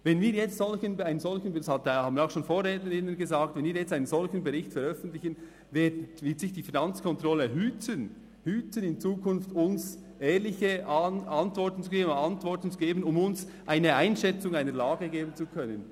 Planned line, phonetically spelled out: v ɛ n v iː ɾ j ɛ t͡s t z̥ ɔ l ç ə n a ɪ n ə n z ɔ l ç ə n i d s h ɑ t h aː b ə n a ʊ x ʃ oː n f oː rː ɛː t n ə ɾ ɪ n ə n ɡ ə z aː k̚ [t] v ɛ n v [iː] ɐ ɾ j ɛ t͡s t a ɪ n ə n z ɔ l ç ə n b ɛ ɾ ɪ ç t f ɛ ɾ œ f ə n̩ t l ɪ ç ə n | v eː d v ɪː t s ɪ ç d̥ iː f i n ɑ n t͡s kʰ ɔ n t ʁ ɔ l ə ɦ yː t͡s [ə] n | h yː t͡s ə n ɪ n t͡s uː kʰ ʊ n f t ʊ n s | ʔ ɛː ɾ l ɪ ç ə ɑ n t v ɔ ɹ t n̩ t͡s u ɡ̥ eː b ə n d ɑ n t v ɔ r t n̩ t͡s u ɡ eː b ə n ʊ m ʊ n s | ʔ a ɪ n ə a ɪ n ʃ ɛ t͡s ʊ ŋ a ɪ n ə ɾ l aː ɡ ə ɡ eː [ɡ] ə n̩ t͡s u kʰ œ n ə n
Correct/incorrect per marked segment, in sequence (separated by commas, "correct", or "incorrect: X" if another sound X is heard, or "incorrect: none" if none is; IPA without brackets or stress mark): correct, correct, correct, incorrect: b